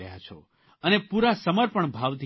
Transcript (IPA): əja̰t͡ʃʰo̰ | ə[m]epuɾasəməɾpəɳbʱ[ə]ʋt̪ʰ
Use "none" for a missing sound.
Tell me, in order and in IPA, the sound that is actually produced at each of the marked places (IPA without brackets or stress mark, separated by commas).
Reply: n, a